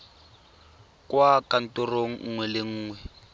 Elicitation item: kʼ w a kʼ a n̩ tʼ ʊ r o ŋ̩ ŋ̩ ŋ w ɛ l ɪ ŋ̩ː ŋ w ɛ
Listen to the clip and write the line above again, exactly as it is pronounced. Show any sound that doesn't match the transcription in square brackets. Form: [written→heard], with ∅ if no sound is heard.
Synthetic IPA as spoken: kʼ w a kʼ a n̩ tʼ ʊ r o ŋ̩ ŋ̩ ŋ w ɛ l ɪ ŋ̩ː ŋ w ɛ